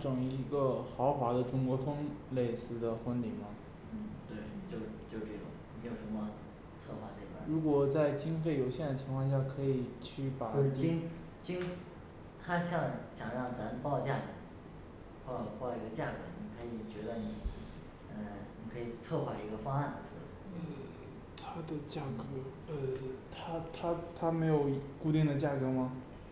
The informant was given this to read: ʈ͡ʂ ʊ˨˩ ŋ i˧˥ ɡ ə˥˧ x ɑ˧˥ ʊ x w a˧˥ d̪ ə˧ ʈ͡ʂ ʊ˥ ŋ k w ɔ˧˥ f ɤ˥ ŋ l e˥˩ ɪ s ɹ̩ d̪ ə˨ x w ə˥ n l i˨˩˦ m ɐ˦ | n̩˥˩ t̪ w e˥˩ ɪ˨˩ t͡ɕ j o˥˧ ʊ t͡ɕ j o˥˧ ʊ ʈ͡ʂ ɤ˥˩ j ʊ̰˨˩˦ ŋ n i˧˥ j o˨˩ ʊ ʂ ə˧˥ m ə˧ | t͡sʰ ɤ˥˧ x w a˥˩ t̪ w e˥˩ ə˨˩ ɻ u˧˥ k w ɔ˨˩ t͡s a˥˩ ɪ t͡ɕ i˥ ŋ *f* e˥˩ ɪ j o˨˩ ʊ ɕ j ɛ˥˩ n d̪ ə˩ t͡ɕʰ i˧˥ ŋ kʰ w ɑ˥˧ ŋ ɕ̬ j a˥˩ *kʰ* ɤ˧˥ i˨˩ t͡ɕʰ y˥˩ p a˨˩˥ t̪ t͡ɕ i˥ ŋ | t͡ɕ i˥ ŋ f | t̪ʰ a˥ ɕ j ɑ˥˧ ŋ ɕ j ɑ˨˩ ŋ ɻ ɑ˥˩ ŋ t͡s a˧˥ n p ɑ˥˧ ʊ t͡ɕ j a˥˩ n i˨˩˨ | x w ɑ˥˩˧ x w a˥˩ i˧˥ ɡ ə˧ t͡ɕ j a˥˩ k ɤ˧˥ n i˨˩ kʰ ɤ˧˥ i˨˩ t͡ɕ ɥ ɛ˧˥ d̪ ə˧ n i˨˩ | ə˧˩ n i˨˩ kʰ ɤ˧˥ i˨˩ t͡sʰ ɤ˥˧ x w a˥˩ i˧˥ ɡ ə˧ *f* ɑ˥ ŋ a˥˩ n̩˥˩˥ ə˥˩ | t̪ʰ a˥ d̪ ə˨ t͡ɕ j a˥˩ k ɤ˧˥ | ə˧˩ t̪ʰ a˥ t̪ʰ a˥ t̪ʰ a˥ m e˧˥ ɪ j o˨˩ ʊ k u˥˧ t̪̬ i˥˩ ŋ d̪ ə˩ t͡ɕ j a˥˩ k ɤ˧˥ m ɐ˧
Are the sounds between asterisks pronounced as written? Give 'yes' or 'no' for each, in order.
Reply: yes, yes, yes

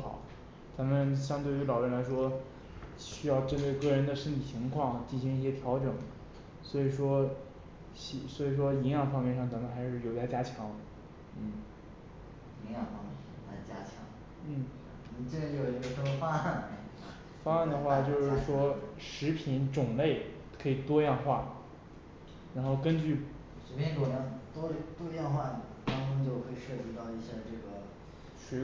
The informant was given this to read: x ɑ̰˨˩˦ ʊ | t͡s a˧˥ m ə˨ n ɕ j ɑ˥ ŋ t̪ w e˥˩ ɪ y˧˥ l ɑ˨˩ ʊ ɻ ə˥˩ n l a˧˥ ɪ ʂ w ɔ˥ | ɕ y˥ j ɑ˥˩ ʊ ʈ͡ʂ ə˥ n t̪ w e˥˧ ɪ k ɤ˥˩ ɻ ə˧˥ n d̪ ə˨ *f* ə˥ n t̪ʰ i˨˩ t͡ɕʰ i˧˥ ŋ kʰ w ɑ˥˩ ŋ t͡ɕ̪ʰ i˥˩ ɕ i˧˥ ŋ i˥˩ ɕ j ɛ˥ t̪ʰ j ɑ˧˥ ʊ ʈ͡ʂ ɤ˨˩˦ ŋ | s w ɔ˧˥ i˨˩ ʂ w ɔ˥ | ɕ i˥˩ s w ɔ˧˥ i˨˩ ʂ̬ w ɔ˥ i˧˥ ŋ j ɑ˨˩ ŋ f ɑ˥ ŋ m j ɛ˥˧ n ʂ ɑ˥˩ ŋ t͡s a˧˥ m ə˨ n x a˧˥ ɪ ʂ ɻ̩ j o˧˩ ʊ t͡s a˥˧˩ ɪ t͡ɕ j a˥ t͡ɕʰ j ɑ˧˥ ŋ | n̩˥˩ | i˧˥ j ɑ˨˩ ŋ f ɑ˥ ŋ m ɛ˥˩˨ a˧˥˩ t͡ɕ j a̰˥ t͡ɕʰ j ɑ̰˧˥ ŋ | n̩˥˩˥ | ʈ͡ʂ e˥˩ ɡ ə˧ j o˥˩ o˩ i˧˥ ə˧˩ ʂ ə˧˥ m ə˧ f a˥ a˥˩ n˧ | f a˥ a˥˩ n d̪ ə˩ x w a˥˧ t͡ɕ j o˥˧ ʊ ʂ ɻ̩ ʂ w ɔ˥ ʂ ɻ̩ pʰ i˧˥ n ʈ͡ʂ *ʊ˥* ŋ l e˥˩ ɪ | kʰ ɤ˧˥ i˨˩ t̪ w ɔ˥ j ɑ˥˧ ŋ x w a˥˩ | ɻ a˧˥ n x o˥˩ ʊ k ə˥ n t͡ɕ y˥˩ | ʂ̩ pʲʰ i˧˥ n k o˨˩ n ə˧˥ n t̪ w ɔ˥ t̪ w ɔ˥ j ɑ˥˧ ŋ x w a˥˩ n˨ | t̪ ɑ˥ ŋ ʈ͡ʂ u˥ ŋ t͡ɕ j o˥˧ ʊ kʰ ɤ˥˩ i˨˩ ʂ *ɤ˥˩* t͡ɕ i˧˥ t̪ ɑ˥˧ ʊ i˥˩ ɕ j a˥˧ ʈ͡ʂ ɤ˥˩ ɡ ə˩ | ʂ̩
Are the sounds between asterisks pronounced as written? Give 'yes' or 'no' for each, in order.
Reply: no, no, yes

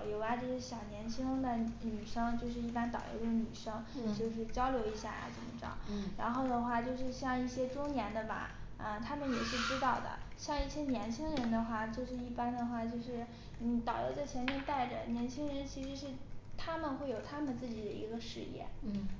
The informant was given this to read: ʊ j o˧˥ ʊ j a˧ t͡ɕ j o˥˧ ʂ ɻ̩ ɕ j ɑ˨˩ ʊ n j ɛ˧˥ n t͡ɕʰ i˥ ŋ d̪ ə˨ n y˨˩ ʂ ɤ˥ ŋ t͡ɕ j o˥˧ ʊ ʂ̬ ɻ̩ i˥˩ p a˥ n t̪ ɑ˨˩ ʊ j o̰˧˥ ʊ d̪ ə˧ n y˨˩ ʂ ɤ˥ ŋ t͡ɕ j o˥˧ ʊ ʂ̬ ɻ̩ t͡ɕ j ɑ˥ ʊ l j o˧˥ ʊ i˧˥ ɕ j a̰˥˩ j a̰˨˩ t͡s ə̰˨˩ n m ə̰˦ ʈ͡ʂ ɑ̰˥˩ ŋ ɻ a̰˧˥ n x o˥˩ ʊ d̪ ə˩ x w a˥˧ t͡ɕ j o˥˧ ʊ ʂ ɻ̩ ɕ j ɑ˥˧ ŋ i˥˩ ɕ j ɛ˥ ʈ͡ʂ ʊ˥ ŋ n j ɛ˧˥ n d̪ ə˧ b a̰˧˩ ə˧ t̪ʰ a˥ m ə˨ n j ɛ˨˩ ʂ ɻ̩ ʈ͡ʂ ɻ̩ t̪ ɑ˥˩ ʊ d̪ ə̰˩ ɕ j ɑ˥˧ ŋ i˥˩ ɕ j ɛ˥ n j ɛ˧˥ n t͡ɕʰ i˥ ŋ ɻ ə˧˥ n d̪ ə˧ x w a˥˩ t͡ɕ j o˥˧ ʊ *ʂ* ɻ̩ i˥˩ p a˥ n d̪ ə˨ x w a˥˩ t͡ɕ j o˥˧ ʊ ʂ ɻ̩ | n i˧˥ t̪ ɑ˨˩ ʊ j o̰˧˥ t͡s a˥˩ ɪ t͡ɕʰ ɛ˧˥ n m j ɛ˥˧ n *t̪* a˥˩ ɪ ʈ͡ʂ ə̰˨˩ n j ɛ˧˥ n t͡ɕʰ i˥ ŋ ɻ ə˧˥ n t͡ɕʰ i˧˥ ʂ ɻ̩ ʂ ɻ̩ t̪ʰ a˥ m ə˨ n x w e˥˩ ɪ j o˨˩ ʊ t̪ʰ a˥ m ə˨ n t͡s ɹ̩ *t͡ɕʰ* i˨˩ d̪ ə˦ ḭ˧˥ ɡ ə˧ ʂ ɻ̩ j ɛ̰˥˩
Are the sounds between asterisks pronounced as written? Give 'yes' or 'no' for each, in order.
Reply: yes, yes, no

